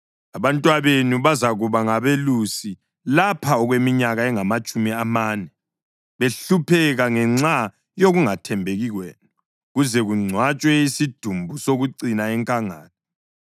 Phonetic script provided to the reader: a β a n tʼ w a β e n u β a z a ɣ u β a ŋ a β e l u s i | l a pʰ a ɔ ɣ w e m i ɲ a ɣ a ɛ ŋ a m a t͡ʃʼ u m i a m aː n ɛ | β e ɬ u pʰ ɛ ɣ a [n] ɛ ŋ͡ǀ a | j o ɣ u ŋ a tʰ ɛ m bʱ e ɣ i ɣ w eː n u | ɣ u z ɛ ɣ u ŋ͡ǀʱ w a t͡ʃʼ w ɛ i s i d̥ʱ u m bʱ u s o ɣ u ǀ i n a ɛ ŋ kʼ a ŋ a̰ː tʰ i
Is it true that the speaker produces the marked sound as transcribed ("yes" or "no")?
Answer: no